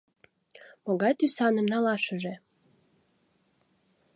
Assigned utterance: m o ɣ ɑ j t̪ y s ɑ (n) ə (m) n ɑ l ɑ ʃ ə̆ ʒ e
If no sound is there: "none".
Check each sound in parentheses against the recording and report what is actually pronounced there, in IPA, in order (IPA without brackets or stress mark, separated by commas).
n, m